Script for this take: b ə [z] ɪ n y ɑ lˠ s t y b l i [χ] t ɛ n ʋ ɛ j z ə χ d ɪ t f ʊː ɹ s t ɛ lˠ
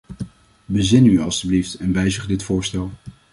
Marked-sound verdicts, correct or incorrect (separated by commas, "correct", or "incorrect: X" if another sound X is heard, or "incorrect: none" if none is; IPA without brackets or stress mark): correct, incorrect: f